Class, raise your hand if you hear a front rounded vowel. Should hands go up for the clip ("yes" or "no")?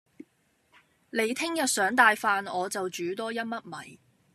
yes